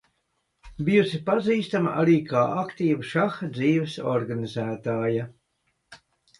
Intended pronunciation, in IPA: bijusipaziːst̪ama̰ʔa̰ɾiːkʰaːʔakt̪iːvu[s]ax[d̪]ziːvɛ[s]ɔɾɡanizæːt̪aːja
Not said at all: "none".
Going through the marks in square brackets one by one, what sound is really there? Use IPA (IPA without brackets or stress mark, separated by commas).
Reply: ʃ, d̪, s